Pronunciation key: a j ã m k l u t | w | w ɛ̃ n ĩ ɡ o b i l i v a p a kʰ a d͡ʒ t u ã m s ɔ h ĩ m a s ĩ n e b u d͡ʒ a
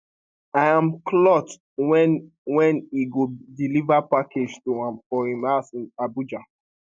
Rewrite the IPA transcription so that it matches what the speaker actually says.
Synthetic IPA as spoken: a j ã m k l ɔ t | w | w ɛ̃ n i ɡ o d i l i v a p a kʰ e d͡ʒ t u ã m f ɔ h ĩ m a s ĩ n a b u d͡ʒ a